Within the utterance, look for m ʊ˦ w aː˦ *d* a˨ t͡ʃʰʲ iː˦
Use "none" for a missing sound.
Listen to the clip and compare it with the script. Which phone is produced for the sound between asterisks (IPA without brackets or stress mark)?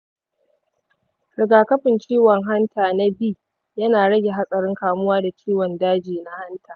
d